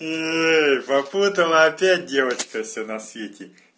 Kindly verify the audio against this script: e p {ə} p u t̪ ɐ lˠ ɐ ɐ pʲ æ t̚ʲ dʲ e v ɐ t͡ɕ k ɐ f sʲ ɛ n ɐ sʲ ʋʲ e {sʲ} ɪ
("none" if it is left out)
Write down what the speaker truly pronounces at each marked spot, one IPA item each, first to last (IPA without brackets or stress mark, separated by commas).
ɐ, tʲ